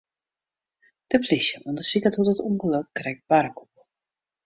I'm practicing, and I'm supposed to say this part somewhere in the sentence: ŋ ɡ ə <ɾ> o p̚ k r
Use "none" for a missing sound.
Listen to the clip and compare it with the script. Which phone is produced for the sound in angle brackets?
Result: l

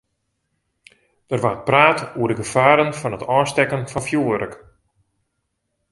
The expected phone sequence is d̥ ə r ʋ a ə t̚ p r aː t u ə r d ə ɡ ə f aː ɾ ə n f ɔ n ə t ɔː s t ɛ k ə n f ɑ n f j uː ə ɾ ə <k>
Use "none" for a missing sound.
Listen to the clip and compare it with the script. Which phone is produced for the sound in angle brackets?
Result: k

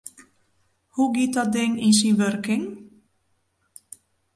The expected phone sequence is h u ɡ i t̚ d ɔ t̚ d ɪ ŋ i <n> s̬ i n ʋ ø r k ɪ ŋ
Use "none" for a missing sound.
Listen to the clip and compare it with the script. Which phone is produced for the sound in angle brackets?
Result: n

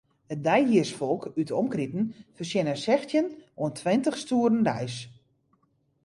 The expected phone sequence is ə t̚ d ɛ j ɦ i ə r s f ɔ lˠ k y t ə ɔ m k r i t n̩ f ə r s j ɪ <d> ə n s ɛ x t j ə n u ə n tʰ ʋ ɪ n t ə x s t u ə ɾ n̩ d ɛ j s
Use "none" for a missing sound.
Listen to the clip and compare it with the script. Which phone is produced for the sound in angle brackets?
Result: n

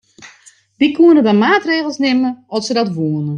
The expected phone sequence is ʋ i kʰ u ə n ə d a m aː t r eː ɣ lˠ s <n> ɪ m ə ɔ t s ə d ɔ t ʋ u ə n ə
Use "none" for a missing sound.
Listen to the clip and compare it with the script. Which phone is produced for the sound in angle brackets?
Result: n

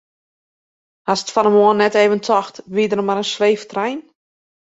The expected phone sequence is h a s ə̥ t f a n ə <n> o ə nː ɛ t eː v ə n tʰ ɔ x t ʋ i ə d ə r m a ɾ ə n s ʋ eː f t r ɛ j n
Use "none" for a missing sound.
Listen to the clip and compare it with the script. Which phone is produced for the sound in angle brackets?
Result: m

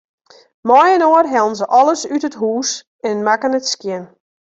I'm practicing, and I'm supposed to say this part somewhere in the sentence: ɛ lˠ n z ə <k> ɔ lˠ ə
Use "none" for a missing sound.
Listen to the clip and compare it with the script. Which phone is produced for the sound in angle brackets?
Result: ʔ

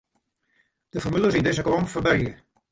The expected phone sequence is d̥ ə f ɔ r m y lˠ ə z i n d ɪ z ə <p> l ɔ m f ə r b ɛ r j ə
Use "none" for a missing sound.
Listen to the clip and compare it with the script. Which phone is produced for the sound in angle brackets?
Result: k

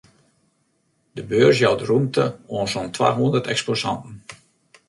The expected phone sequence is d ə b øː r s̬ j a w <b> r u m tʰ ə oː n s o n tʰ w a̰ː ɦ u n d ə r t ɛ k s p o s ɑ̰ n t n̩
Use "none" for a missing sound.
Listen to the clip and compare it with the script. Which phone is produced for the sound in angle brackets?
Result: d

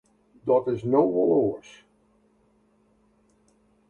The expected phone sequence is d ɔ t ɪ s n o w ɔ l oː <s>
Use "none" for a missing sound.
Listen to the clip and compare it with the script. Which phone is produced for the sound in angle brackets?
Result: s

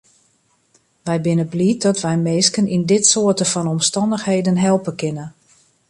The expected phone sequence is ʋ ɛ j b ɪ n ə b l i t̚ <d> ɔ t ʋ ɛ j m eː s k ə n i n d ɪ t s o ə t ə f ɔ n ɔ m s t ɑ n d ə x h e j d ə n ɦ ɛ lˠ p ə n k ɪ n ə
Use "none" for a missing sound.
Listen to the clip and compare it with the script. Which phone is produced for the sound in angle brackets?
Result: d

